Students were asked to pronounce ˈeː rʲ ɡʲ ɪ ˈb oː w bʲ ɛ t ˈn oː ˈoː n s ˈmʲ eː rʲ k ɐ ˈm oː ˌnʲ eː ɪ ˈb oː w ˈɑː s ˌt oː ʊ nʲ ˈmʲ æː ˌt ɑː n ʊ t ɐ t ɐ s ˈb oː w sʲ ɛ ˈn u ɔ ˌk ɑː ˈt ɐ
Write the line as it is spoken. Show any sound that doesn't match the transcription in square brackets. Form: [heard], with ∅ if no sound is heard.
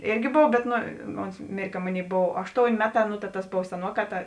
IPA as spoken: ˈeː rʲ ɡʲ ɪ ˈb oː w bʲ ɛ t ˈn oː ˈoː n s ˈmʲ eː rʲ k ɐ ˈm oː ˌnʲ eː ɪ ˈb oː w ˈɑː [ʃ] ˌt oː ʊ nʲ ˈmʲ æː ˌt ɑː n ʊ t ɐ t ɐ s ˈb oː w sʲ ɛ ˈn u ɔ ˌk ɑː ˈt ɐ